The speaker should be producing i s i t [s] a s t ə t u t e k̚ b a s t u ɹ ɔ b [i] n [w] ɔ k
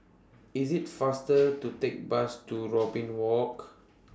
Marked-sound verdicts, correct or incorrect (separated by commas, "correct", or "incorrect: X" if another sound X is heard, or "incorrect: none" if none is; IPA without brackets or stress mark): incorrect: f, incorrect: ĩ, correct